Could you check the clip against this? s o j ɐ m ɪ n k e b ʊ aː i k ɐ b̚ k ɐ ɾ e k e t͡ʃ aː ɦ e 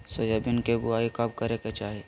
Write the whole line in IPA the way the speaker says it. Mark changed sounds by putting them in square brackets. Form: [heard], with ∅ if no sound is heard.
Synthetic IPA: s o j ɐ [b] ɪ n k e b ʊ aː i k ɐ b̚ k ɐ ɾ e k e t͡ʃ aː ɦ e